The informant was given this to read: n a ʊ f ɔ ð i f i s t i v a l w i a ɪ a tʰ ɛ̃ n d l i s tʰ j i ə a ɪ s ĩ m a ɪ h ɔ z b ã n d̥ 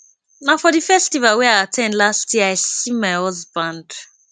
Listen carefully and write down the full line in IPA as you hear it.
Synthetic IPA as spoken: n a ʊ f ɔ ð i f ɛ s t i v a l w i a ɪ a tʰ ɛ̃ n d l a s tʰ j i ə a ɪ s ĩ m a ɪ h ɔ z b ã n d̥

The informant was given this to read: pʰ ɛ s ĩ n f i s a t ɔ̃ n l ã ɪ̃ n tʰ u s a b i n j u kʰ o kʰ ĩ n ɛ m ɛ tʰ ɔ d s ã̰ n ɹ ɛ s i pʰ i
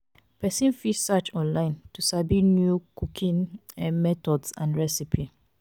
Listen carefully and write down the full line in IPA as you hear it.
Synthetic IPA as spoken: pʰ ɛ s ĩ n f i s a t͡ʃ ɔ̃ n l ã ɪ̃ n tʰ u s a b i n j u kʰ u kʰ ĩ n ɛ m ɛ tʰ ɔ d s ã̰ n ɹ ɛ s i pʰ i

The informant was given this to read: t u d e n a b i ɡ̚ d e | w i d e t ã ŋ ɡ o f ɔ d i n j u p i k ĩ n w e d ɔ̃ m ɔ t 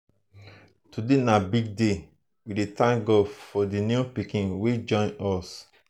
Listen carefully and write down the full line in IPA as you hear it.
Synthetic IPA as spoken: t u d e n a b i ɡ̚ d e | w i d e t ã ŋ ɡ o f ɔ d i n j u p i k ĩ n w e d͡ʒ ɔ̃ n ɔ s

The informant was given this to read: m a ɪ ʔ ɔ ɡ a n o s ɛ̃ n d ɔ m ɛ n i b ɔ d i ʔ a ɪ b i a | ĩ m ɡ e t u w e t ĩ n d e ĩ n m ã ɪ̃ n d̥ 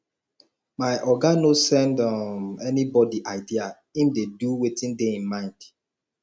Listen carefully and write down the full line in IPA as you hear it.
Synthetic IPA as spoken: m a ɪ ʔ ɔ ɡ a n o s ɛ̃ n d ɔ m ɛ n i b ɔ d i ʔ a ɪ d i a | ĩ m d e d u w e t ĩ n d e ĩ n m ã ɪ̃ n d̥

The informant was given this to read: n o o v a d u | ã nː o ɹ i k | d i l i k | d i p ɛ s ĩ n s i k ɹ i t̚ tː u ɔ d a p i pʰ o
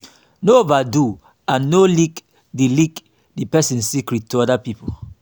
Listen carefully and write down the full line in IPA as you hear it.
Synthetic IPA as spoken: n o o v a d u | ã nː o l i k | d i l i k | d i p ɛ s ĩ n s i k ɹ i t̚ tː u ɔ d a p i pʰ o

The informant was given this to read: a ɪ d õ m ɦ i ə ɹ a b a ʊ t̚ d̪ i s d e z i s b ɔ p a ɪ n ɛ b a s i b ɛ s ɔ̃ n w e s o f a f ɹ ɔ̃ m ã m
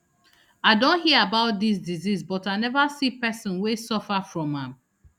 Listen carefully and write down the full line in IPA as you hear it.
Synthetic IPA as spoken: a ɪ d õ n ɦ i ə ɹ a b a ʊ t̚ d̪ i s d i z i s b ɔ t a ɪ n ɛ v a s i p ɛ s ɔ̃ n w e s ɔ f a f ɹ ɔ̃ m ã m

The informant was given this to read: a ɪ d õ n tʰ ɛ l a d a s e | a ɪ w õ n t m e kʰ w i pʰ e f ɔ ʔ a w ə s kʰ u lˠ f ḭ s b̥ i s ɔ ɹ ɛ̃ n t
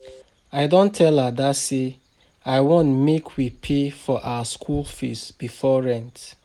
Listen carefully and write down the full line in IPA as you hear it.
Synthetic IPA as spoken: a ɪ d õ n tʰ ɛ l a d a s e | a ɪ w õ n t m e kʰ w i pʰ e f ɔ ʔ a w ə s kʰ u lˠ f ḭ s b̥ i f ɔ ɹ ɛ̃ n t

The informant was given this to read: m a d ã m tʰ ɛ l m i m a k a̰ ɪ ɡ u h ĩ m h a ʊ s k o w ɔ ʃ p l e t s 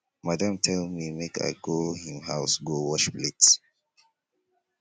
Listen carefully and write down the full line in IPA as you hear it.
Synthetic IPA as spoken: m a d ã m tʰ ɛ l m i m e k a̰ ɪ ɡ o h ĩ m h a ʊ s ɡ o w ɔ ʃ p l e t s

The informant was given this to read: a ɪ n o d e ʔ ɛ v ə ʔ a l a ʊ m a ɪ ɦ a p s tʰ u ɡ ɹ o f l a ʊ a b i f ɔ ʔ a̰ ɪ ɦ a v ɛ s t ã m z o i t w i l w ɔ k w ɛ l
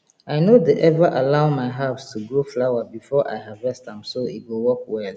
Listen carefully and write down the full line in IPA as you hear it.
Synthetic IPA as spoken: a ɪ n o d e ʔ ɛ v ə ʔ a l a ʊ m a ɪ ɦ a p s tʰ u ɡ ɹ o f l a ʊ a b i f ɔ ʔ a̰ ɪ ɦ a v ɛ s t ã m s o i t w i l w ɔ k w ɛ l

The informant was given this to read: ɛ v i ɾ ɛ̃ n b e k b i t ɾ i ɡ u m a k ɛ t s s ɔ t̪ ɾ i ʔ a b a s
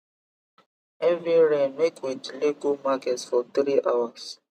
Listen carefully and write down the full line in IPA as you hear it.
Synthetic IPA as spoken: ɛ v i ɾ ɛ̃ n m e k w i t l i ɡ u m a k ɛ t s f ɔ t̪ ɾ i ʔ a w a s

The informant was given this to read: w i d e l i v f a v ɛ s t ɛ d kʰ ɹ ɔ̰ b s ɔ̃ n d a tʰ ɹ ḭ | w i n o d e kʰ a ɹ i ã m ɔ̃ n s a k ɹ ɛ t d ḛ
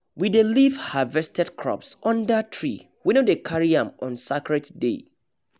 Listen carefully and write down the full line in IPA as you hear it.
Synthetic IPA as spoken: w i d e l i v h a v ɛ s t ɛ d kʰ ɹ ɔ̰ p s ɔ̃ n d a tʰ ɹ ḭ | w i n o d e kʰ a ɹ i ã m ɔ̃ n s a k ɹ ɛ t d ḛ

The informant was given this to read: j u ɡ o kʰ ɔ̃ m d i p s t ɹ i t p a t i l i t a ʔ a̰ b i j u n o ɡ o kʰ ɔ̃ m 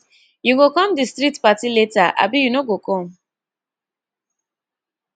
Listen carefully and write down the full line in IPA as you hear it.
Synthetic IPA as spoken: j u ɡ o k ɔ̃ m d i s t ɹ i t p a t i l e t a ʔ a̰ b i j u n o ɡ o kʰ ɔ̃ m

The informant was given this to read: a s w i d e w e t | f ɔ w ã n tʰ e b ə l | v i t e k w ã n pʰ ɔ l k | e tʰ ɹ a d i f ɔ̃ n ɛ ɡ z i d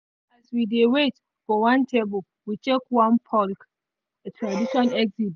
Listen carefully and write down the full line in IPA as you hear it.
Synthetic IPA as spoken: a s w i d e w e t | f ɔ w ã n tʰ e b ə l | w i t͡ʃ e k w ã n pʰ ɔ l k | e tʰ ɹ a d i ʃ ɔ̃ n ɛ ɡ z i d

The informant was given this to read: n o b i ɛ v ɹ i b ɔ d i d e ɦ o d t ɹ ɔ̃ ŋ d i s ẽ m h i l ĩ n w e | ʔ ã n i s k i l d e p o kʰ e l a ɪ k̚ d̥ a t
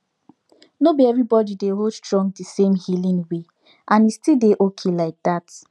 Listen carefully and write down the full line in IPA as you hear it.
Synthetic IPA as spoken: n o b i ɛ v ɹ i b ɔ d i d e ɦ o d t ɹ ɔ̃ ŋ d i s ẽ m h i l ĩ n w e | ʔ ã n i s t i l d e ʔ o kʰ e l a ɪ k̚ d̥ a t

